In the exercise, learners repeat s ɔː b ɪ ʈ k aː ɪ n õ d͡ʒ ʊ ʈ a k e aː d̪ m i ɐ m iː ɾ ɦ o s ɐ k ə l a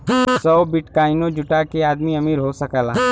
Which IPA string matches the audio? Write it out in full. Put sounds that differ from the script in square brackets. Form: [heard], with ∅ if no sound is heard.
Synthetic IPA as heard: s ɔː b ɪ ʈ k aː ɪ n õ d͡ʒ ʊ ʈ a k e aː d̪ m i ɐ m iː ɾ ɦ o s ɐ k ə l a